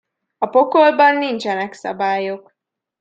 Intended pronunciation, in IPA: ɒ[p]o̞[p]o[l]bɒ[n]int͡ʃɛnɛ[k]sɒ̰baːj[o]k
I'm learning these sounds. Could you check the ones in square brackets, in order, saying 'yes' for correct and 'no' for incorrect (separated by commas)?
yes, no, yes, no, yes, yes